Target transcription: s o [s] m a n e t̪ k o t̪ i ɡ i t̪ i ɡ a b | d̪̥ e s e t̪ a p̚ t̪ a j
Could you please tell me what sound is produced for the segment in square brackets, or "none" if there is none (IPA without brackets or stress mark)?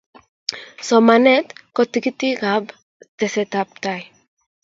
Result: none